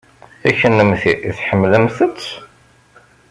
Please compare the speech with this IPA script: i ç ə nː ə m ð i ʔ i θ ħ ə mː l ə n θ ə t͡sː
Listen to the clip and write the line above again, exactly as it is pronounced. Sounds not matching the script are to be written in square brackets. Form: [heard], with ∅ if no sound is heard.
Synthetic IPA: [æ] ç ə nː ə m [θ] i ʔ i θ ħ ə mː l ə [m] θ ə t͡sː